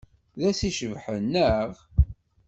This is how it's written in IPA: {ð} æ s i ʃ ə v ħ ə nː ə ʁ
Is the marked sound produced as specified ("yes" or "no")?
yes